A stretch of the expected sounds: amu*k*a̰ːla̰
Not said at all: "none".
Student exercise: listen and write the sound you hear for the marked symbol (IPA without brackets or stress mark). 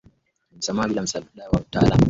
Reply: t